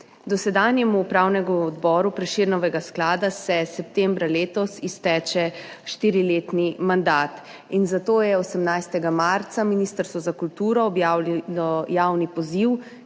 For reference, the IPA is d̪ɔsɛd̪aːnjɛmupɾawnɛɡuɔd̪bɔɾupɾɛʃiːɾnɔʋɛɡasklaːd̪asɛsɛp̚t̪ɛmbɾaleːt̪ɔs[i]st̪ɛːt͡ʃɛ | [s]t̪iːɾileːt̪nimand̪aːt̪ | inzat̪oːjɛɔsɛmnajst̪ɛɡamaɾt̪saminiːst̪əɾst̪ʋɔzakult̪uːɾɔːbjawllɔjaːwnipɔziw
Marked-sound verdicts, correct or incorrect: correct, incorrect

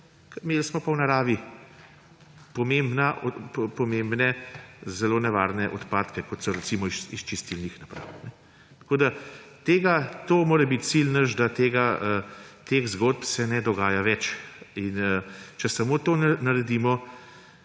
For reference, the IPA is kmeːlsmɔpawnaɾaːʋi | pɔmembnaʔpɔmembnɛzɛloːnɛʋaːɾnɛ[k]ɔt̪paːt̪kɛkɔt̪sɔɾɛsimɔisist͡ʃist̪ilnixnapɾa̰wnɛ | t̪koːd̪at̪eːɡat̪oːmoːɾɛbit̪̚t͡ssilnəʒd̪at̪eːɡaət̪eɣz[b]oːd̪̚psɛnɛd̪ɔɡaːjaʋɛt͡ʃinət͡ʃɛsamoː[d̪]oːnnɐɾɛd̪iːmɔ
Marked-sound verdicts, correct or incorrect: incorrect, incorrect, incorrect

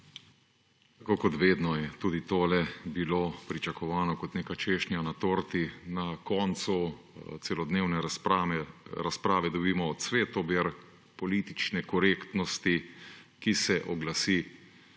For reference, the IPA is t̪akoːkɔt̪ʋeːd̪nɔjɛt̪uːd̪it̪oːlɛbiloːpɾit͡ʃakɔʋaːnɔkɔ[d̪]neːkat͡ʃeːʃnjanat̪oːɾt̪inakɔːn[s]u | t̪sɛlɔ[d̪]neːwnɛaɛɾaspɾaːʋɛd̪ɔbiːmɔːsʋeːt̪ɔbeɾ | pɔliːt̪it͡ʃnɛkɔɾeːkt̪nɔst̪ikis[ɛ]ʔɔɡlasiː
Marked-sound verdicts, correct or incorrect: incorrect, correct, correct, correct

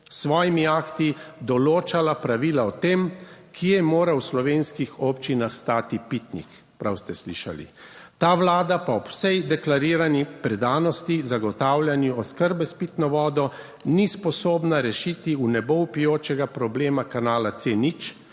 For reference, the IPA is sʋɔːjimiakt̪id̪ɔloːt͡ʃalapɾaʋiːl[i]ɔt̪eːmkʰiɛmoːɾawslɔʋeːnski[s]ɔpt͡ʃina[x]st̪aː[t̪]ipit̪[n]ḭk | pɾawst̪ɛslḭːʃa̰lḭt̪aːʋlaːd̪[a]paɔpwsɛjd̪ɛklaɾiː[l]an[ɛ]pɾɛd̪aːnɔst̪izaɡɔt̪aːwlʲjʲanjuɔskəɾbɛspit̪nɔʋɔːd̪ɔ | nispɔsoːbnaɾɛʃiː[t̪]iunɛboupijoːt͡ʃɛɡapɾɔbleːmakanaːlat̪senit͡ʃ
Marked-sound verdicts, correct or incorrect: incorrect, incorrect, correct, correct, correct, correct, incorrect, incorrect, correct

